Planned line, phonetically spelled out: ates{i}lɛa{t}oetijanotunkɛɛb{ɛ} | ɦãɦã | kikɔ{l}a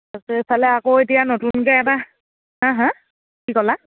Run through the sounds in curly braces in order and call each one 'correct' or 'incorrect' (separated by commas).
incorrect, incorrect, incorrect, correct